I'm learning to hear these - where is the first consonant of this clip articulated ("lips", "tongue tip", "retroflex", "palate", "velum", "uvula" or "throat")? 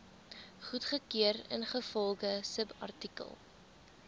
uvula